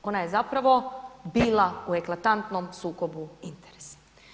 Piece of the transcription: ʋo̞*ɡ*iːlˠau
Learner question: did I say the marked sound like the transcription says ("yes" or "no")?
no